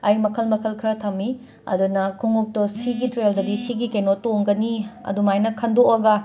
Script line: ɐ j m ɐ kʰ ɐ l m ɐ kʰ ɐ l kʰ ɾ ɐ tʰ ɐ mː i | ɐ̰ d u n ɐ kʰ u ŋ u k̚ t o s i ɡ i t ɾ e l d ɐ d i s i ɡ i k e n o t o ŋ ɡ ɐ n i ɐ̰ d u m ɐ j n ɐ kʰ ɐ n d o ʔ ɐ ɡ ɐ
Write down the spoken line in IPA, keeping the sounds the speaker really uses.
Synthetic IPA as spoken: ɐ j m ɐ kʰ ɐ l m ɐ kʰ ɐ l kʰ ɾ ɐ tʰ ɐ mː i | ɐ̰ d u n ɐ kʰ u ŋ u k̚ t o s i ɡ i t ɾ e l d ɐ d i s i ɡ i k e n o t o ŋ ɡ ɐ n i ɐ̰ d u m a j n ɐ kʰ ɐ n d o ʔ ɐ ɡ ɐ